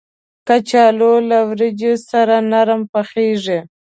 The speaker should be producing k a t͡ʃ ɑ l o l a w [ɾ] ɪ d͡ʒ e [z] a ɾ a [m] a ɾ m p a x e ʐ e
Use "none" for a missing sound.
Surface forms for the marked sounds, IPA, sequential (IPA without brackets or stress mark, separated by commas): ɾ, s, n